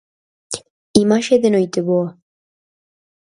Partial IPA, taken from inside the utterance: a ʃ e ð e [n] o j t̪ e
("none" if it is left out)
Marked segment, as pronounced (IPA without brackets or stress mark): n